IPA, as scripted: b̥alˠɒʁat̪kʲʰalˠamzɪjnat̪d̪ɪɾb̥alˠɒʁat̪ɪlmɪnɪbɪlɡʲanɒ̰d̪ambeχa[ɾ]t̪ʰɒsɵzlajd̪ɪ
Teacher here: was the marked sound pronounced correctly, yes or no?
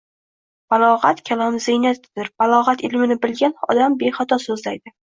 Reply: no